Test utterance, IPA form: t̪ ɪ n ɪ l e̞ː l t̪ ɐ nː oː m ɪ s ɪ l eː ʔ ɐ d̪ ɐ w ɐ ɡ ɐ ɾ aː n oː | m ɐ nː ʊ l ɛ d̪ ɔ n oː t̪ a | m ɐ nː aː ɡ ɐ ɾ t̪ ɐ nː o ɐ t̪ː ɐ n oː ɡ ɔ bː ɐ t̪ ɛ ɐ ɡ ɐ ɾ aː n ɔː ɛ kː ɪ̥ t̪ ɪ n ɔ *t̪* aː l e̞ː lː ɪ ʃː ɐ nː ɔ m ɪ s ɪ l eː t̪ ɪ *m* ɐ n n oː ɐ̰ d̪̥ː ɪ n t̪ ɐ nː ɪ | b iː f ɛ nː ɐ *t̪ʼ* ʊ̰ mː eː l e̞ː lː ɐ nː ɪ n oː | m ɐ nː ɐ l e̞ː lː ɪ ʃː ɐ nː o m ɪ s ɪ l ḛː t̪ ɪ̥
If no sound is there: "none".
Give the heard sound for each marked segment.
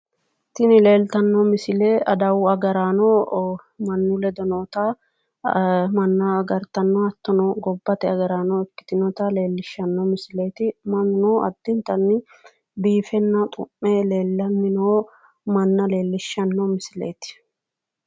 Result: t̪, m, t̪ʼ

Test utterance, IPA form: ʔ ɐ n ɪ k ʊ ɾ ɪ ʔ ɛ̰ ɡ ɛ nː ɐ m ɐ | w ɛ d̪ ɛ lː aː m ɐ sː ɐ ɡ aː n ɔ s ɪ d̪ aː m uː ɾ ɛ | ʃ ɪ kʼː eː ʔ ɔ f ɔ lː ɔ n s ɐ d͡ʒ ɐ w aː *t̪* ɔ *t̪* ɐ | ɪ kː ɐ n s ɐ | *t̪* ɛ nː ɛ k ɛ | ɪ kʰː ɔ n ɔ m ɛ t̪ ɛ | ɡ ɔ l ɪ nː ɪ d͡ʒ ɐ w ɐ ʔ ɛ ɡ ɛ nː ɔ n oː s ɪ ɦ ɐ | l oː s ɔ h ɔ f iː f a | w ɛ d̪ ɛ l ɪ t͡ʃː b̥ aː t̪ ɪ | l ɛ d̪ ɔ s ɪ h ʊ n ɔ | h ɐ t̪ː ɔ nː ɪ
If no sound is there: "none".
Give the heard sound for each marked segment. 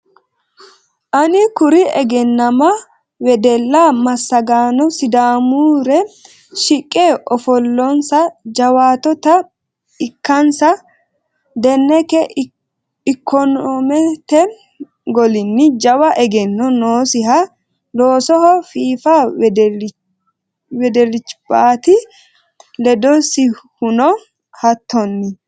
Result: t̪, t̪, d̪

